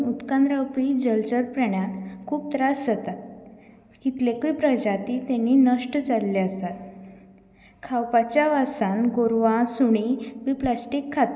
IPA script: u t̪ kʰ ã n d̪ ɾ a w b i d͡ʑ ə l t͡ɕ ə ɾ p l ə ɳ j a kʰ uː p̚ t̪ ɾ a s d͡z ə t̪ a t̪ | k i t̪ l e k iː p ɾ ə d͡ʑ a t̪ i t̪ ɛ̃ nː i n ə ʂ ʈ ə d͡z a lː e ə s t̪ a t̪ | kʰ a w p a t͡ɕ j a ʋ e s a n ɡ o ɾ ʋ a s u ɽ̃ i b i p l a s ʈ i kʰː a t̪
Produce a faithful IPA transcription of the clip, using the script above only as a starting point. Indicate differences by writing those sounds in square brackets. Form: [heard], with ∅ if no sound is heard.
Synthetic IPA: u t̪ [k] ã n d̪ ɾ a w [p] i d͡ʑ ə l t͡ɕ ə ɾ p [ɾ] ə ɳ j a kʰ uː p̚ t̪ ɾ a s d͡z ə t̪ a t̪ | k i t̪ l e k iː p ɾ ə d͡ʑ a t̪ i t̪ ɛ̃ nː i n ə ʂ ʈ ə d͡z a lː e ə s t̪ a t̪ | kʰ a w p a t͡ɕ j a ʋ [a] s a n ɡ o ɾ ʋ a s u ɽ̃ i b i p l a s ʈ i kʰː a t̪